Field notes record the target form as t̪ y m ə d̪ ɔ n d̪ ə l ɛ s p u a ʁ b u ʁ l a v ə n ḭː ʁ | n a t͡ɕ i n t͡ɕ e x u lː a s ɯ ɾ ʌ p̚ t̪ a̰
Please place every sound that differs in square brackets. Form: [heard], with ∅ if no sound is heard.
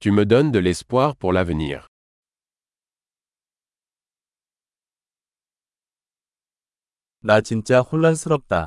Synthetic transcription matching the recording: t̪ y m ə d̪ ɔ n d̪ ə l ɛ s p [w] a ʁ [p] u ʁ l a v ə n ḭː ʁ | n a t͡ɕ i n t͡ɕ [a] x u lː a s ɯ ɾ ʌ p̚ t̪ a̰